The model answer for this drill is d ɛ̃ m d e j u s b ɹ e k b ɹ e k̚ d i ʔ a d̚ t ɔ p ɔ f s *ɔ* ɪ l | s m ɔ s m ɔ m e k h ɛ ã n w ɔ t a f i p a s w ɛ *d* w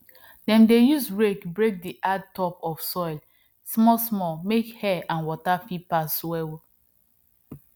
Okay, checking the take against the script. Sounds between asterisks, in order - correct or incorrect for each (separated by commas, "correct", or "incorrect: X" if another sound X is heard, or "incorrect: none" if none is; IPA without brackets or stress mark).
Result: correct, incorrect: none